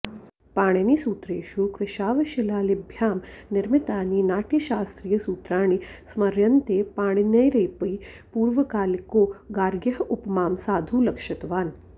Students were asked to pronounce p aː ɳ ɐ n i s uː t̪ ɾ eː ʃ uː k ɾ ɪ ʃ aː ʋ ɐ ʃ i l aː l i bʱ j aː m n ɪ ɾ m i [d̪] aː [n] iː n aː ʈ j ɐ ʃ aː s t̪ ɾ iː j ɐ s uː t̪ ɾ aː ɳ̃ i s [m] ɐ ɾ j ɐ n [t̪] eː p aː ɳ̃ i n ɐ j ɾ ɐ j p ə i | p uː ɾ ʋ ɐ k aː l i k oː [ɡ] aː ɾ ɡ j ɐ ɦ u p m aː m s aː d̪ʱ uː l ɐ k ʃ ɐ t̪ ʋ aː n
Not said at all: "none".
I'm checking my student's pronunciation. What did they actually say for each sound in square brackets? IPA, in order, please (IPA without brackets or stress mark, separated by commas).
t̪, n, m, t̪, ɡ